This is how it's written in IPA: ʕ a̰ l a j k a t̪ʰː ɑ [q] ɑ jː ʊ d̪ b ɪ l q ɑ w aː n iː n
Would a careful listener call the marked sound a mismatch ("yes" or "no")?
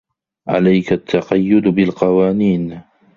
no